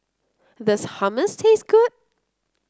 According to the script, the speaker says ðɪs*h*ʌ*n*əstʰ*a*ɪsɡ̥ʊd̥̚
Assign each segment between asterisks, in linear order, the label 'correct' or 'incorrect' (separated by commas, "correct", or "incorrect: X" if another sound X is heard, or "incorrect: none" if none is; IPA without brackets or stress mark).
correct, incorrect: m, incorrect: e